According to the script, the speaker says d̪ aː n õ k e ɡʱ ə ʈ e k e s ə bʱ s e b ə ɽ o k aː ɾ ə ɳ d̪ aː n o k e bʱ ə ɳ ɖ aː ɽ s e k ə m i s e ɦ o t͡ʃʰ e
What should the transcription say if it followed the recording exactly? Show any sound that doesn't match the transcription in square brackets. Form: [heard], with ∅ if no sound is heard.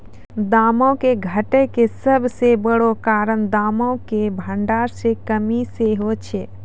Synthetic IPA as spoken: d̪ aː [m] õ k e ɡʱ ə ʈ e k e s ə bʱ s e b ə ɽ o k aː ɾ ə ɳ d̪ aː [m] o k e bʱ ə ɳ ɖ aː [ɾ] s e k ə m i s e ɦ o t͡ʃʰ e